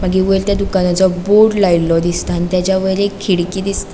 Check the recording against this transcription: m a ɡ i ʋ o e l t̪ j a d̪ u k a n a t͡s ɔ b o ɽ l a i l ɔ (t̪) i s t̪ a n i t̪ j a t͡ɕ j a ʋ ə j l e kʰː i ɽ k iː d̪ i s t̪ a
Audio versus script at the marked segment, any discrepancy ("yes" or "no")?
yes